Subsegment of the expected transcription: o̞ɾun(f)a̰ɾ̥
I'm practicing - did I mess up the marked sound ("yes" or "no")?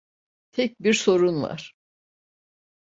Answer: yes